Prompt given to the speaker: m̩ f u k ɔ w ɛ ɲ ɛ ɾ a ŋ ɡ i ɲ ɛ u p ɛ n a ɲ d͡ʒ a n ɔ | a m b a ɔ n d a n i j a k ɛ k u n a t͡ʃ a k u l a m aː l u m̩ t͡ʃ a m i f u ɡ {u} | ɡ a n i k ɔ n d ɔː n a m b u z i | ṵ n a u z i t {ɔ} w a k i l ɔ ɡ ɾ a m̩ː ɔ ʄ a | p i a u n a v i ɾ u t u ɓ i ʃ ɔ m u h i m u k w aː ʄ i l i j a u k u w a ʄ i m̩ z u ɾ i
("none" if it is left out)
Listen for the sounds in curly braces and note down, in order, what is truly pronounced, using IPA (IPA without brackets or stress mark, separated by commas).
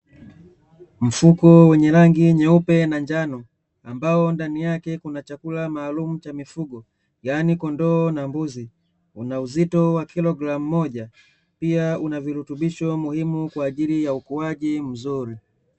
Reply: ɔ, ɔ